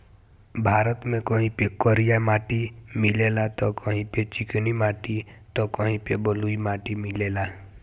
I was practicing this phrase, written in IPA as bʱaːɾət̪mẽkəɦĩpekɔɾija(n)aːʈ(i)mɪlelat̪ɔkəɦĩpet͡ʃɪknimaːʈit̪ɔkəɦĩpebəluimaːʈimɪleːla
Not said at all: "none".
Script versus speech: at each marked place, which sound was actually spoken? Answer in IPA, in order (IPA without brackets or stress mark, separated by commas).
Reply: m, i